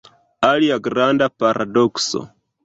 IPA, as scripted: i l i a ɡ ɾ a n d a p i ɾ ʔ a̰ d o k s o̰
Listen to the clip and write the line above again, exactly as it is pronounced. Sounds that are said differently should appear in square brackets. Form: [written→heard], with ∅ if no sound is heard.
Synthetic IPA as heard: [i→a] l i a ɡ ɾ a n d a p [i→a] ɾ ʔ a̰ d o k s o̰